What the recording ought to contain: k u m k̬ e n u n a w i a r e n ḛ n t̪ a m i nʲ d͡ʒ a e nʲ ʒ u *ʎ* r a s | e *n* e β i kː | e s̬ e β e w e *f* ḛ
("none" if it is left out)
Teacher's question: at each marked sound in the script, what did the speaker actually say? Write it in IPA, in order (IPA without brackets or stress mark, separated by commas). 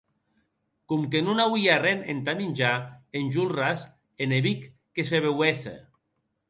l, n, s